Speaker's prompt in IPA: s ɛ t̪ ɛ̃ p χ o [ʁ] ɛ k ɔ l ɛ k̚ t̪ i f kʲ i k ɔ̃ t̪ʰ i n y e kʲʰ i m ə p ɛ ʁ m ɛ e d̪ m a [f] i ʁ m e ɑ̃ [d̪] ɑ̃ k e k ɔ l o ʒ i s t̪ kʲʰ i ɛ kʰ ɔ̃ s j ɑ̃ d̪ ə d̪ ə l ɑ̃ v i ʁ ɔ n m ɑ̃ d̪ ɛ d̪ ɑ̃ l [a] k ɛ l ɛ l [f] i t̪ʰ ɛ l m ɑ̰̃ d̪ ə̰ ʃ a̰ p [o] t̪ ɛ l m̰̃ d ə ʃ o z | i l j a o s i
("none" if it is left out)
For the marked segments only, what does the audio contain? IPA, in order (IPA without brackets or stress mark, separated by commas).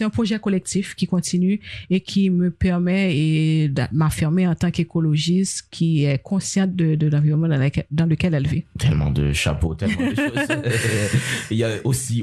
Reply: ʒ, f, t̪, ə, v, o